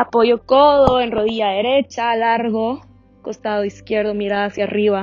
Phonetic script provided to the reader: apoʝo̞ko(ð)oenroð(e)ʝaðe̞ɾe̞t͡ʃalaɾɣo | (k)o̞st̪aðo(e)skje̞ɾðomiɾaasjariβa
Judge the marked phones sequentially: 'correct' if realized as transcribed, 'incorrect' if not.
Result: correct, incorrect: i, correct, incorrect: i

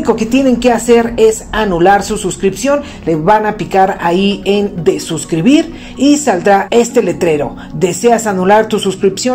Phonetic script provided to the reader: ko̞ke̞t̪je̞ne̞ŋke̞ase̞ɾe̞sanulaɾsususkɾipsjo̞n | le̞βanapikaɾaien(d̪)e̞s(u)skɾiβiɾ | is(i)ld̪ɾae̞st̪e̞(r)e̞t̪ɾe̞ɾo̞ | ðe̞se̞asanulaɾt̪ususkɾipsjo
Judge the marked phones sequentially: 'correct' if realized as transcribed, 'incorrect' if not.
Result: correct, correct, incorrect: a, incorrect: l

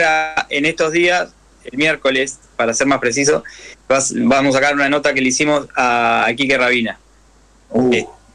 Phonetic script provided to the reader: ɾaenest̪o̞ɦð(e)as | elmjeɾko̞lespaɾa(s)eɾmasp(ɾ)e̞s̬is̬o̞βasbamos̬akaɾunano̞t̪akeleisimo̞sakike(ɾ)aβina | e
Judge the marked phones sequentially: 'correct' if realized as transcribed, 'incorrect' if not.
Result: incorrect: i, correct, correct, incorrect: r

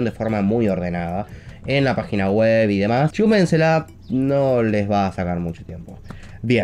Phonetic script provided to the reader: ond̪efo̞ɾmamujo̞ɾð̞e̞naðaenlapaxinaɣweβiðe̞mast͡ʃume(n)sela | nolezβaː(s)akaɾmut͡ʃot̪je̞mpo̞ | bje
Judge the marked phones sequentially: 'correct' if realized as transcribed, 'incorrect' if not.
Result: correct, correct

